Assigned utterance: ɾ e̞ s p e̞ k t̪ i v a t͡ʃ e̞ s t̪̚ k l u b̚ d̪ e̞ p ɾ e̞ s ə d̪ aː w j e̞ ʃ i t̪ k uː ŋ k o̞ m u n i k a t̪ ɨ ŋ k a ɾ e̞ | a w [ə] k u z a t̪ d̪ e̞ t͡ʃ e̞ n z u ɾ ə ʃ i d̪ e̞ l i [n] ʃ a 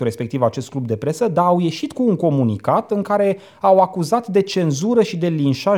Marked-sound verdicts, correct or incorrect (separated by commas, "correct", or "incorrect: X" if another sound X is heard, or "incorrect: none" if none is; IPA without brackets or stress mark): incorrect: a, correct